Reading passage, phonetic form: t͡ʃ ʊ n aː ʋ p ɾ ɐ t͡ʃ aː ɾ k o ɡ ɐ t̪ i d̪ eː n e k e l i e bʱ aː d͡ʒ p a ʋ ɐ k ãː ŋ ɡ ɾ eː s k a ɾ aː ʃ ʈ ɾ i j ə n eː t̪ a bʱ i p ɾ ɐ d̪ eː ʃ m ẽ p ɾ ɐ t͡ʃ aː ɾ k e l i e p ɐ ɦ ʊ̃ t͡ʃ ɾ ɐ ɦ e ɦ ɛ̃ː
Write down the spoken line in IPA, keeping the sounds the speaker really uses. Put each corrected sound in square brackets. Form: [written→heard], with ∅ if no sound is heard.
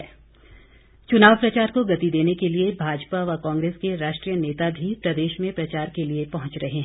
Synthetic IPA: t͡ʃ ʊ n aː ʋ p ɾ ɐ t͡ʃ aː ɾ k o ɡ ɐ t̪ i d̪ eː n e k e l i e bʱ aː d͡ʒ p a ʋ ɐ k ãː ŋ ɡ ɾ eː s k [a→e] ɾ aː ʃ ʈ ɾ i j ə n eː t̪ a bʱ i p ɾ ɐ d̪ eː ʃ m ẽ p ɾ ɐ t͡ʃ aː ɾ k e l i e p ɐ ɦ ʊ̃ t͡ʃ ɾ ɐ ɦ e ɦ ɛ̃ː